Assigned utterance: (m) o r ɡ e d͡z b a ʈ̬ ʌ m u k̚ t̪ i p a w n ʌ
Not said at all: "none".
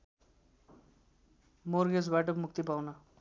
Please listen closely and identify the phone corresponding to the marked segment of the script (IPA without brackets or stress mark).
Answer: m